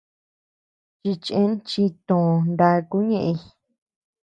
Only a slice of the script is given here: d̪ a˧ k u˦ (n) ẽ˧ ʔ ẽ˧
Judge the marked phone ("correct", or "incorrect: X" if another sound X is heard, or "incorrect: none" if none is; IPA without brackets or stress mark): incorrect: ɲ